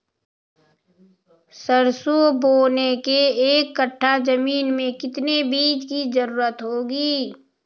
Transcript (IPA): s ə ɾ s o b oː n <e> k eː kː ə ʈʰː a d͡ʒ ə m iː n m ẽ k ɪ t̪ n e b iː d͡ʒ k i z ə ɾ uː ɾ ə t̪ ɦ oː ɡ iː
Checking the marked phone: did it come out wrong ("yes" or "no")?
no